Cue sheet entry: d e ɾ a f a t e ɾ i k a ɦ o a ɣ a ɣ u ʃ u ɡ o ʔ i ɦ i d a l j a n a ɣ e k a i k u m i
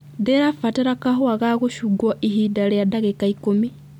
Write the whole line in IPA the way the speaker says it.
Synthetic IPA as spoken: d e ɾ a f a t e ɾ a k a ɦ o a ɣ a ɣ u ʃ u ɡ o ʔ i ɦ i d a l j a d a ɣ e k a i k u m i